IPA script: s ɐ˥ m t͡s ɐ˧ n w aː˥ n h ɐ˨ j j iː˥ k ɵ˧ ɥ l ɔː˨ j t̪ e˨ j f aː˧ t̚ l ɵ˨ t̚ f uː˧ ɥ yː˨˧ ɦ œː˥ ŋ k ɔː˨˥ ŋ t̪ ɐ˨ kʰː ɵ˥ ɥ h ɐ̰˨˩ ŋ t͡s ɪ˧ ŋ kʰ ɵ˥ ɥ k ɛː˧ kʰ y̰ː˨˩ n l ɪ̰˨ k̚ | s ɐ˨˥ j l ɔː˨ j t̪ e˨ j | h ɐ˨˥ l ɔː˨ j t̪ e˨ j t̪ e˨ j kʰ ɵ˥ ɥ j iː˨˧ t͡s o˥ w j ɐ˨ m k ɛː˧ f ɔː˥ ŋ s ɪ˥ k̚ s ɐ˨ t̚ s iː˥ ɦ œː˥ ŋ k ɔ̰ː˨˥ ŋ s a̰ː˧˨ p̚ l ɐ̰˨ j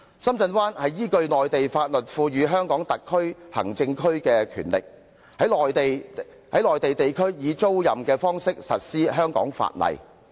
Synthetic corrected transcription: s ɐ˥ m t͡s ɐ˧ n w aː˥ n h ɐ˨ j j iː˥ k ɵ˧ ɥ l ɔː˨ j t̪ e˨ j f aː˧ t̚ l ɵ˨ t̚ f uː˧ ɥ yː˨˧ ɦ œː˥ ŋ k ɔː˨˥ ŋ t̪ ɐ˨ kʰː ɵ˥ ɥ h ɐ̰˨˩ ŋ t͡s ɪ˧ ŋ kʰ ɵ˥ ɥ k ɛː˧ kʰ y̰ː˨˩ n l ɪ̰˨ k̚ | h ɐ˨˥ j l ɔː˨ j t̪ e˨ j | h ɐ˨˥ l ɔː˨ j t̪ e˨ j t̪ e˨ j kʰ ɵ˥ ɥ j iː˨˧ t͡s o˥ w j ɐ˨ m k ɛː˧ f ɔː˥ ŋ s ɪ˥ k̚ s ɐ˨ t̚ s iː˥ ɦ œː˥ ŋ k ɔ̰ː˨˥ ŋ f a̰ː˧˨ t̚ l ɐ̰˨ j